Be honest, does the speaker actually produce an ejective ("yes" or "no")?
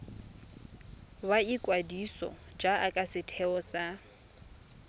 yes